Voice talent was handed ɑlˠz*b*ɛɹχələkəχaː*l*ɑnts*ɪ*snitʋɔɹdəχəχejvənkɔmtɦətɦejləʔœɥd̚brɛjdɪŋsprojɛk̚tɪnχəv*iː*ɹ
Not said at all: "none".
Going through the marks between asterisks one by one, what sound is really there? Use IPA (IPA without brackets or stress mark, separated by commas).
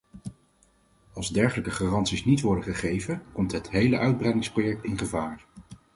d, r, i, aː